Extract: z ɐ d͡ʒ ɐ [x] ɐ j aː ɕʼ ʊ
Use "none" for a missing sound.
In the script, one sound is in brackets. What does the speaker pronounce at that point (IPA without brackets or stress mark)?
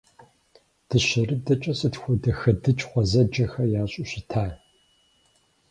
x